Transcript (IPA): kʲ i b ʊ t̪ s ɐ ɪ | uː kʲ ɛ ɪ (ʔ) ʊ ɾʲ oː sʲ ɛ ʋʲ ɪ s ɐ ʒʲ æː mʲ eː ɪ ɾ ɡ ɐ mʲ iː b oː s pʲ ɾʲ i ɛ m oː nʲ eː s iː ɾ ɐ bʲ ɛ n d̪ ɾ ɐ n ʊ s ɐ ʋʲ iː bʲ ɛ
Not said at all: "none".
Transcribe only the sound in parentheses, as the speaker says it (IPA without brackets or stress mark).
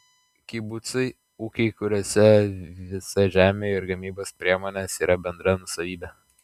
k